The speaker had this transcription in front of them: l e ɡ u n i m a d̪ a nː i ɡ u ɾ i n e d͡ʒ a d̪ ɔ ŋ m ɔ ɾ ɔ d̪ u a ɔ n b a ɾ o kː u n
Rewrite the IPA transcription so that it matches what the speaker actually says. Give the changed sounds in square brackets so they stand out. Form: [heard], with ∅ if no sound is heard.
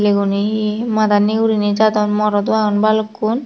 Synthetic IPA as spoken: l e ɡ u n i m a d̪ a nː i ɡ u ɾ i n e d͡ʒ a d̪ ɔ [n] m ɔ ɾ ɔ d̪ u a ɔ n b a [l] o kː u n